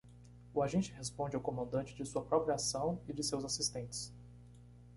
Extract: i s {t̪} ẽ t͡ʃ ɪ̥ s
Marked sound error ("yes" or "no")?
no